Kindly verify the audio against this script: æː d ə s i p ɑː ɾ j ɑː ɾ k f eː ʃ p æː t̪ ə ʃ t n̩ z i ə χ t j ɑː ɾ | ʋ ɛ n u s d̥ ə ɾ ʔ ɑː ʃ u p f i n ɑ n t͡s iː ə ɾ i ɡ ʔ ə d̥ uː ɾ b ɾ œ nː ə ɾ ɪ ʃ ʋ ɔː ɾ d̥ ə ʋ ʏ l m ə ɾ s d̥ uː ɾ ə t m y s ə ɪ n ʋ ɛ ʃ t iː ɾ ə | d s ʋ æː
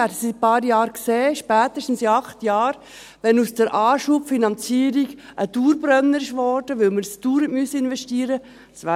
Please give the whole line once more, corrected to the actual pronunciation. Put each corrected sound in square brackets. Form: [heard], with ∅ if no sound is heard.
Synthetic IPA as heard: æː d ə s i p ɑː ɾ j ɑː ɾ k [s] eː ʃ p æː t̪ ə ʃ t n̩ [s] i [ɑ] χ t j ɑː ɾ | ʋ ɛ n u s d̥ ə ɾ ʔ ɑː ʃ u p f i n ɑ n t͡s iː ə ɾ i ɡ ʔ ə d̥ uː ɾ b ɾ œ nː ə ɾ ɪ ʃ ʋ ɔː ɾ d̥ ə ʋ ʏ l m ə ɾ s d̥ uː ɾ ə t m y s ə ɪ n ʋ ɛ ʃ t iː ɾ ə | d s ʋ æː